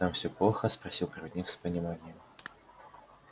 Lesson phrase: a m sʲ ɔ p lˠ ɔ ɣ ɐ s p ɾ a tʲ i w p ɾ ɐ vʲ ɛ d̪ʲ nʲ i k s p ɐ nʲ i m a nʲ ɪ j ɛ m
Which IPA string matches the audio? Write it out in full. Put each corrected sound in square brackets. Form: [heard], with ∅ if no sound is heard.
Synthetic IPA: a m sʲ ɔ p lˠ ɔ [x] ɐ s p ɾ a [sʲ] i w p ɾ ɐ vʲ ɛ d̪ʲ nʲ i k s p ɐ nʲ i m a nʲ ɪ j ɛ m